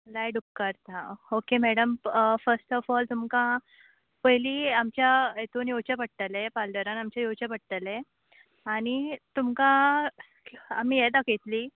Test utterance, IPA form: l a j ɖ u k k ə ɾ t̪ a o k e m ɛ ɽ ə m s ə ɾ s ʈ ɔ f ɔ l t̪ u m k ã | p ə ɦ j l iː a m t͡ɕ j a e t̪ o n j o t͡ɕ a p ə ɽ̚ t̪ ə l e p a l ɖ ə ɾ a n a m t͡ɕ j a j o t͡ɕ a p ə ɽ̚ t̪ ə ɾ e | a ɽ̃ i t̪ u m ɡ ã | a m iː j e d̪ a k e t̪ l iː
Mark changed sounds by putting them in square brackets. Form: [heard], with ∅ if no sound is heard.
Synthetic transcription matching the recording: l a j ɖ u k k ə ɾ t̪ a o k e m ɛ ɽ ə m [f] ə ɾ s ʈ ɔ f ɔ l t̪ u m k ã | p ə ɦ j l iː a m t͡ɕ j a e t̪ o n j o t͡ɕ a p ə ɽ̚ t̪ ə l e p a l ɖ ə ɾ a n a m t͡ɕ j a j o t͡ɕ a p ə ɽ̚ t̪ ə [l] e | a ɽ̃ i t̪ u m [k] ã | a m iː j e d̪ a k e t̪ l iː